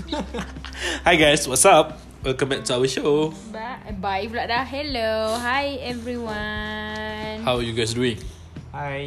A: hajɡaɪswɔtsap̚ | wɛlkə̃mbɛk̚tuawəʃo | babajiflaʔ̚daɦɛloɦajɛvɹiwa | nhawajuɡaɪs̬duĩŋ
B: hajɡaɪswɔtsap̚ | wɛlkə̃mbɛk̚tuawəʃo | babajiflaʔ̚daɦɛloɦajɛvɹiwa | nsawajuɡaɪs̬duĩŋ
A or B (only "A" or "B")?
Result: A